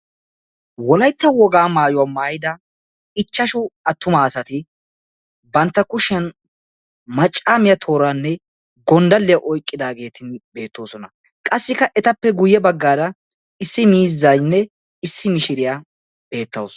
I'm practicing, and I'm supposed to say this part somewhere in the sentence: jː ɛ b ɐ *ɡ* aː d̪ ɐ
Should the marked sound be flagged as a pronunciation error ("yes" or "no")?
yes